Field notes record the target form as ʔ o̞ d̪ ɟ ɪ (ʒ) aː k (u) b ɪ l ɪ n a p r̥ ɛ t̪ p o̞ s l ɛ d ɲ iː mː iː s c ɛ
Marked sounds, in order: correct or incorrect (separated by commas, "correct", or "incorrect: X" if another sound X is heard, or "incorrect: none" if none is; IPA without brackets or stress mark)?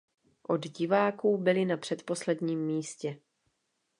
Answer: incorrect: v, incorrect: uː